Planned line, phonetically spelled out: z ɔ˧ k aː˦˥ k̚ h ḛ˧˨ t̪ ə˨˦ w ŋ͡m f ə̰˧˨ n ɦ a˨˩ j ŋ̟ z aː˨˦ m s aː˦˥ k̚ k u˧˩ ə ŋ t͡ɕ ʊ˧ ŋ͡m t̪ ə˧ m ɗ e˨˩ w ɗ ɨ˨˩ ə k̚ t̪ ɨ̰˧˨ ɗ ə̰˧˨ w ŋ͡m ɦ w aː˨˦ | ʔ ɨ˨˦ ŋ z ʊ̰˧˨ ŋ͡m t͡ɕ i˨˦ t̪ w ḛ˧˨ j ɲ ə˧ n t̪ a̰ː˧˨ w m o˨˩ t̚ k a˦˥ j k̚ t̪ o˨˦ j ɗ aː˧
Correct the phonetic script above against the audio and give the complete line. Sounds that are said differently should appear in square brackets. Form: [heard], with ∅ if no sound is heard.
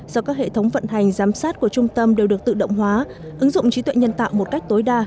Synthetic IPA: z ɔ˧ k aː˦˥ k̚ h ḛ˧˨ [t̪ʰ] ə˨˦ w ŋ͡m [v] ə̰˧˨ n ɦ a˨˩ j ŋ̟ z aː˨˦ m s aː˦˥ [t̚] k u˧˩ ə [∅] t͡ɕ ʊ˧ ŋ͡m t̪ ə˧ m ɗ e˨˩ w ɗ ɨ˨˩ ə k̚ t̪ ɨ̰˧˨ ɗ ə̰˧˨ w ŋ͡m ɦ w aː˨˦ | ʔ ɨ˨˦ ŋ z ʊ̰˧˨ ŋ͡m t͡ɕ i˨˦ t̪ w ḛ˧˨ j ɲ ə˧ n t̪ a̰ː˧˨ w m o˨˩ t̚ k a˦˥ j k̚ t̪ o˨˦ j ɗ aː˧